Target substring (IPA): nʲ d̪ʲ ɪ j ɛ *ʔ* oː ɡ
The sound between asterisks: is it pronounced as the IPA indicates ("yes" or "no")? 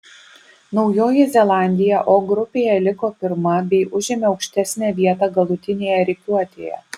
yes